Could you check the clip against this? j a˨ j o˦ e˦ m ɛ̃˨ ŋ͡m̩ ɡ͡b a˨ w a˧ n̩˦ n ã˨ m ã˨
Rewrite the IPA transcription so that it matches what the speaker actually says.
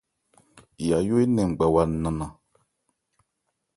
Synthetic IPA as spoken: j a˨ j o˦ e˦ n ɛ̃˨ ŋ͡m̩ ɡ͡b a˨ w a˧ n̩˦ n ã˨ n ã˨